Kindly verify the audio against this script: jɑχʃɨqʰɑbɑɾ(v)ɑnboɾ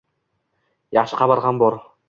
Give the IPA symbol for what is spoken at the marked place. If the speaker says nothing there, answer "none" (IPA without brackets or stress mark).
ʁ